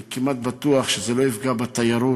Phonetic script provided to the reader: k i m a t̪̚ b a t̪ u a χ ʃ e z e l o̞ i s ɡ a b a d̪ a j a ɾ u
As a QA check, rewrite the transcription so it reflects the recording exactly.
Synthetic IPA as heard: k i m a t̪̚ b a t̪ u a χ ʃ e z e l o̞ i f ɡ a b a t̪ a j a ɾ u